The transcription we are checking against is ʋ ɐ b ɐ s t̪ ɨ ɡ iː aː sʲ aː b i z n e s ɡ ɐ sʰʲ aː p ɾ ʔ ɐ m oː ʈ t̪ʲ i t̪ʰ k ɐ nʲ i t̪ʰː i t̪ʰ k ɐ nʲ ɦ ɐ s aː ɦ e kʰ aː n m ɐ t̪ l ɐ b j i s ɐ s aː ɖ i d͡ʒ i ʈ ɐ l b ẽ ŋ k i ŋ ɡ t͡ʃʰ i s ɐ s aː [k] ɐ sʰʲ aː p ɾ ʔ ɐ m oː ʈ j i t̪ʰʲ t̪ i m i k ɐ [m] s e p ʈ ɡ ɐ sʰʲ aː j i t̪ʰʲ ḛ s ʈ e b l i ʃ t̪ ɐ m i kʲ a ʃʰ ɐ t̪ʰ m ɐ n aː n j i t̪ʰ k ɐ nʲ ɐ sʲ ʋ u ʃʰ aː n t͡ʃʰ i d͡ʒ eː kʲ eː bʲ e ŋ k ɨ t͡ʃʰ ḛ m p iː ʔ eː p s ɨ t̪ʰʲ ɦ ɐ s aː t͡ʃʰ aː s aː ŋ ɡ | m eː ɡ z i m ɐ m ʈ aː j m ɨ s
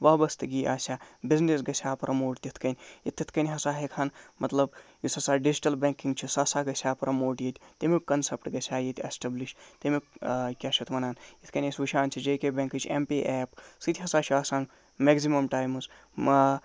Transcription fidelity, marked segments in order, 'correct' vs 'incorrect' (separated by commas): incorrect, incorrect